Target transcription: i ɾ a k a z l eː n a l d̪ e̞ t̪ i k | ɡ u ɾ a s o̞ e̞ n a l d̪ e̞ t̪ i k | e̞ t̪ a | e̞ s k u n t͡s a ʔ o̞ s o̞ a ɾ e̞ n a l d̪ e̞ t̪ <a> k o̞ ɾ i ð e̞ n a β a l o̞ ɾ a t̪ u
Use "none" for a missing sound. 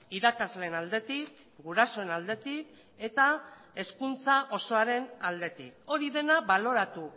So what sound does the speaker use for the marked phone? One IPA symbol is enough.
i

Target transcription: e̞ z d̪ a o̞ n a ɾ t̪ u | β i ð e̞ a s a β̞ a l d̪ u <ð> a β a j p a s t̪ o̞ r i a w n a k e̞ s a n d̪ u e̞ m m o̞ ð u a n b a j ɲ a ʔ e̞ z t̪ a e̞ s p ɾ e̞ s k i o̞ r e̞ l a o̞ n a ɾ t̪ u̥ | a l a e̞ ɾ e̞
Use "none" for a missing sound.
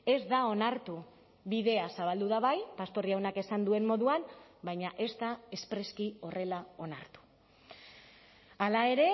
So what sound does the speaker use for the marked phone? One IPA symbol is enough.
ð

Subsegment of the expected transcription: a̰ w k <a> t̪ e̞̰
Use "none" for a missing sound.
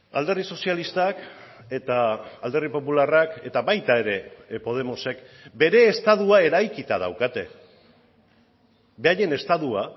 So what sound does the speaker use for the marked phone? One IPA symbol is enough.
a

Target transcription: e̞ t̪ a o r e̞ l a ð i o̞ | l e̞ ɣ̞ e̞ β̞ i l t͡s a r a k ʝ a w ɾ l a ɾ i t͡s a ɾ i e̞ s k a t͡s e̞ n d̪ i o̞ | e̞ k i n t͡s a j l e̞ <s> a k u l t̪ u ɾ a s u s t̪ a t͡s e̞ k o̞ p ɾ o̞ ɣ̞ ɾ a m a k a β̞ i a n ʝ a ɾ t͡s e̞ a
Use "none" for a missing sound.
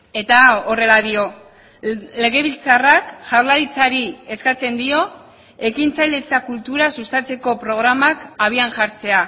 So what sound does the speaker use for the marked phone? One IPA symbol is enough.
t͡s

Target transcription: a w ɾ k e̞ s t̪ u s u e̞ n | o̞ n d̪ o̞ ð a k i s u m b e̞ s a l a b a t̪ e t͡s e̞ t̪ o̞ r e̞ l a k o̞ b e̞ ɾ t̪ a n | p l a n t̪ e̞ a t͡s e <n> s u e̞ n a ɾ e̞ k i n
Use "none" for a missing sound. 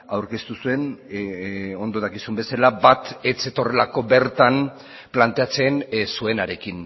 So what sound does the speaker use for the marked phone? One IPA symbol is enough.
n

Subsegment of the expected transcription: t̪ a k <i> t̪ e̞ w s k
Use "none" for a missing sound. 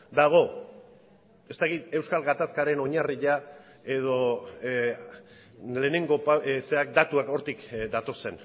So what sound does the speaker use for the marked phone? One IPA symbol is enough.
i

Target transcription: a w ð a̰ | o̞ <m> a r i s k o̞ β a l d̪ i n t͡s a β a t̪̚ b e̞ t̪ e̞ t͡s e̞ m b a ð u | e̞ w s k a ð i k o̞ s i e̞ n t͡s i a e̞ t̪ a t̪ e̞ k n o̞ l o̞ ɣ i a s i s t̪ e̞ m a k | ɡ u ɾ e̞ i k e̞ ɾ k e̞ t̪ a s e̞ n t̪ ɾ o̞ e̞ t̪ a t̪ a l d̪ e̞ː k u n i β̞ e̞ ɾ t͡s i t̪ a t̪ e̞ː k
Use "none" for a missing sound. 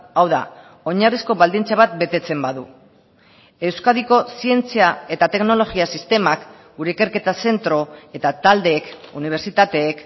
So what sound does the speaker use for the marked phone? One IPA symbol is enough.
ɲ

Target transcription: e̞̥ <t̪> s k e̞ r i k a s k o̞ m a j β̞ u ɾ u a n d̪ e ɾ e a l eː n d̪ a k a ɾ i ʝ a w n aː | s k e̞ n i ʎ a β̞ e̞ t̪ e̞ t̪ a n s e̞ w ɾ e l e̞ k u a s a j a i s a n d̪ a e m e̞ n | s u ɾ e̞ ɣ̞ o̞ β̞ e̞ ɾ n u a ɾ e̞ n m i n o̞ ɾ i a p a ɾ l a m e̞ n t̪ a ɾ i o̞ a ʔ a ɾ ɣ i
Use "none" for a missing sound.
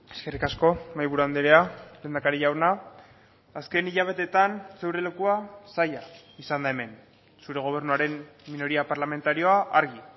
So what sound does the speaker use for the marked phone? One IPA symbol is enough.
none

